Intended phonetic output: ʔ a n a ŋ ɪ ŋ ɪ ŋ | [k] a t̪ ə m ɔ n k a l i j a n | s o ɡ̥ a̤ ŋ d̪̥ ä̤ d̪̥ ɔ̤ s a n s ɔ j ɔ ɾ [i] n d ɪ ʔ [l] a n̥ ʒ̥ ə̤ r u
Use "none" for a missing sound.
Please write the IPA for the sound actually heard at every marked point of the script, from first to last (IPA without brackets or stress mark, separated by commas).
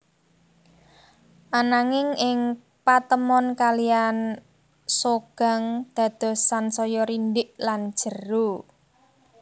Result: p, i, l